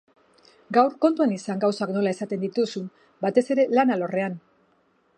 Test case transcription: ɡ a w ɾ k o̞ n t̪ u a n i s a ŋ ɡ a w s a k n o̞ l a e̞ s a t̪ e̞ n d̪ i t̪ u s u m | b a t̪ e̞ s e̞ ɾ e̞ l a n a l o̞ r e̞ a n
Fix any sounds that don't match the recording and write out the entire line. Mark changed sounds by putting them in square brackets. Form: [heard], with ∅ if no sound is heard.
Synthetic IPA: ɡ a w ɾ k o̞ n t̪ u a n i s a ŋ ɡ a w s a k n o̞ l a e̞ s a t̪ e̞ n d̪ i t̪ u s u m | b a t̪ e̞ s e̞ ɾ e̞ l a n a l o̞ r e̞ a n

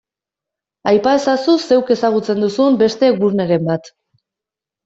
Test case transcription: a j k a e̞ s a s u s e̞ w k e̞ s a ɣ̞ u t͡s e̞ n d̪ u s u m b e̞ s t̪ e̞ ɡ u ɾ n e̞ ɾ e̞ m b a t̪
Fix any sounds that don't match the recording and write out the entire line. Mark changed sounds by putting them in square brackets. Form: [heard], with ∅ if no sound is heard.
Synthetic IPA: a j [p] a e̞ s a s u s e̞ w k e̞ s a ɣ̞ u t͡s e̞ n d̪ u s u m b e̞ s t̪ e̞ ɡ u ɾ n e̞ ɾ e̞ m b a t̪

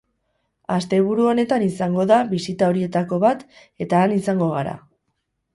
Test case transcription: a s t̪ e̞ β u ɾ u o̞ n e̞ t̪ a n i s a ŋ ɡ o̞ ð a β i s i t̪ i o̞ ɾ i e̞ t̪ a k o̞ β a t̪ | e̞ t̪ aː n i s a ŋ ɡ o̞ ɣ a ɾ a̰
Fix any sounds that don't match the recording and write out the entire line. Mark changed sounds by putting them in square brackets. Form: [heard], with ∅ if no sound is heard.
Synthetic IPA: a s t̪ e̞ β u ɾ u o̞ n e̞ t̪ a n i s a ŋ ɡ o̞ ð a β i s i t̪ [a] o̞ ɾ i e̞ t̪ a k o̞ β a t̪ | e̞ t̪ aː n i s a ŋ ɡ o̞ ɣ a ɾ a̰

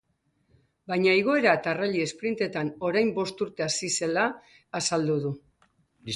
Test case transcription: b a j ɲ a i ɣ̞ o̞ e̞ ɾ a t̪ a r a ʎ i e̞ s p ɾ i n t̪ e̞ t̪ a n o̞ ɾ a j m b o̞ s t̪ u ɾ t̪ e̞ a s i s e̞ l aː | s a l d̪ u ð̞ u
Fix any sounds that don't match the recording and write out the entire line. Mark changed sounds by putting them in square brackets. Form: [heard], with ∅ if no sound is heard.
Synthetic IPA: b a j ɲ a i ɣ̞ o̞ e̞ ɾ a t̪ a r a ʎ i e̞ s p ɾ i n t̪ e̞ t̪ a n o̞ ɾ a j m b o̞ s t̪ u ɾ t̪ e̞ a s i s e̞ l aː | s a l d̪ u ð̞ u

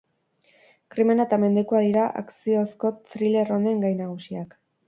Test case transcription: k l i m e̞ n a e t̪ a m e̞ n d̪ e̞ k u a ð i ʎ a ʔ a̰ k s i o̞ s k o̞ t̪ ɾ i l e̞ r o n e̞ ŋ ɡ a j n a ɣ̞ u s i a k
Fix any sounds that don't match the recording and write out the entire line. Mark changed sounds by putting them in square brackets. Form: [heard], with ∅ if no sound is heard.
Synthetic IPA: k [ɾ] i m e̞ n a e t̪ a m e̞ n d̪ e̞ k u a ð i [ɾ] a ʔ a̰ k s i o̞ s k o̞ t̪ ɾ i l e̞ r o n e̞ ŋ ɡ a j n a ɣ̞ u s i a k

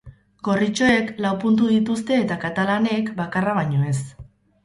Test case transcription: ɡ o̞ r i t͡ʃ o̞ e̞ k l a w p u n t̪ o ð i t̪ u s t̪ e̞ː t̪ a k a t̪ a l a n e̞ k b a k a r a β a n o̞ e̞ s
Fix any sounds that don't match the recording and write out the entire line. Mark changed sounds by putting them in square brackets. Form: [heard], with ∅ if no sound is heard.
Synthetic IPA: ɡ o̞ r i t͡ʃ o̞ e̞ k l a w p u n t̪ [u] ð i t̪ u s t̪ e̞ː t̪ a k a t̪ a l a n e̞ k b a k a r a β a [ɲ] o̞ e̞ s

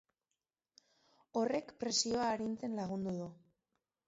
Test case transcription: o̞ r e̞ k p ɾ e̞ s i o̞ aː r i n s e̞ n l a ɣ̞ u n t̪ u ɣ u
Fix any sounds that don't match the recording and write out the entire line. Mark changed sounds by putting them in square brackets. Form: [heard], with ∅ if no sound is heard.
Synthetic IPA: o̞ r e̞ k p ɾ e̞ s i o̞ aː [ɾ] i n [t͡s] e̞ n l a ɣ̞ u n [d̪] u [ð] u

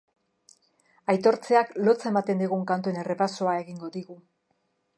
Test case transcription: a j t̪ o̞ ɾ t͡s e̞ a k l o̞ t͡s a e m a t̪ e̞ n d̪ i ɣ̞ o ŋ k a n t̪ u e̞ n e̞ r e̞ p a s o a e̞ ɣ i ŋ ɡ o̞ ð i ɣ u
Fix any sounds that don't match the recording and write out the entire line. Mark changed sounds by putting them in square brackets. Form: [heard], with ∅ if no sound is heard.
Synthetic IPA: a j t̪ o̞ ɾ t͡s e̞ a k l o̞ t͡s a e m a t̪ e̞ n d̪ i ɣ̞ [u] ŋ k a n t̪ u e̞ n e̞ r e̞ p a s o a e̞ ɣ i ŋ ɡ o̞ ð i ɣ u

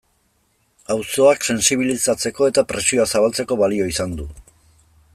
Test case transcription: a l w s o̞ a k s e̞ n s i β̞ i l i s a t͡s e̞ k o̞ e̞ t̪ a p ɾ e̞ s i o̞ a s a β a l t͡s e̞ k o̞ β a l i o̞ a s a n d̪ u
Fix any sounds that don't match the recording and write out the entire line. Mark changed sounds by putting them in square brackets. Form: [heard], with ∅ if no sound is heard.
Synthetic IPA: a [∅] w s o̞ a k s e̞ n s i β̞ i l i s a t͡s e̞ k o̞ e̞ t̪ a p ɾ e̞ s i o̞ a s a β a l t͡s e̞ k o̞ β a l i o̞ [i] s a n d̪ u

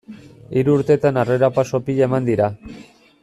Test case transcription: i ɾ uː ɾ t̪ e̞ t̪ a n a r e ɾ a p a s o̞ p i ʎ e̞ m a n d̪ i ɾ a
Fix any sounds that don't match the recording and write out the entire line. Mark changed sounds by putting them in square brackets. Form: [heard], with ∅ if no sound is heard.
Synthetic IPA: i ɾ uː ɾ t̪ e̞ t̪ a n a r e ɾ a p a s o̞ p i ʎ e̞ m a n d̪ i ɾ a

